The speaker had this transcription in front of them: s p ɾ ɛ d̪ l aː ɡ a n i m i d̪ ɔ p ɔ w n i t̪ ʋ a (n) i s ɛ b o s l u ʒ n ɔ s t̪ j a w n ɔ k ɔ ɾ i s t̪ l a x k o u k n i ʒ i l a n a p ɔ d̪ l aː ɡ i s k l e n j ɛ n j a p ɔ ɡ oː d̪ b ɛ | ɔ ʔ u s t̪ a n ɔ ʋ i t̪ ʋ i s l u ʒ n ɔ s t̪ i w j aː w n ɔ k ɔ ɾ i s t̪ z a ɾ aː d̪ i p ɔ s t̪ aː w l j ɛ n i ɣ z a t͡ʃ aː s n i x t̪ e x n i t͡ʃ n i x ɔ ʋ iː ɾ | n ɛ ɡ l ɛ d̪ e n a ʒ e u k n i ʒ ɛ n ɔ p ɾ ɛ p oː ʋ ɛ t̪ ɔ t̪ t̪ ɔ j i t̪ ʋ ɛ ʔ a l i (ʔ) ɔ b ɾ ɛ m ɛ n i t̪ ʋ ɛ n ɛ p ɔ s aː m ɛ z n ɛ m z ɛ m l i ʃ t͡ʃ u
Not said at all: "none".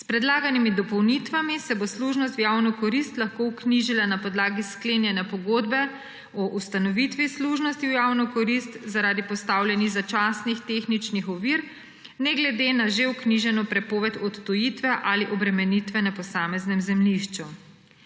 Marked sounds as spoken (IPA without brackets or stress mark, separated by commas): m, ʔ